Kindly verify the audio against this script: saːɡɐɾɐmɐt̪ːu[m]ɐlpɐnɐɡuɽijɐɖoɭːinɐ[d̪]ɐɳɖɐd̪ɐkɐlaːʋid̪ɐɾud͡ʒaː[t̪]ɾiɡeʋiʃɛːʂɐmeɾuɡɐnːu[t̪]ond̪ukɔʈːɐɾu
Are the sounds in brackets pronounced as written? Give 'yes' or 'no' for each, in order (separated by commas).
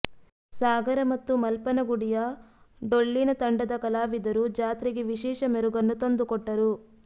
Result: yes, no, yes, yes